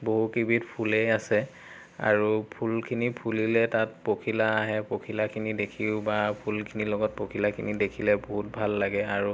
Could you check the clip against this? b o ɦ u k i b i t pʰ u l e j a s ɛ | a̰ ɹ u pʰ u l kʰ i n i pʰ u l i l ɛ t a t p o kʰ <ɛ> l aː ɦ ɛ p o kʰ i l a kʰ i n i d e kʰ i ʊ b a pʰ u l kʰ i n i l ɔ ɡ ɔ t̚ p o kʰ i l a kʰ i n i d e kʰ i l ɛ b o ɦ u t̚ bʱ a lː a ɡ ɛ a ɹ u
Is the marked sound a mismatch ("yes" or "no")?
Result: yes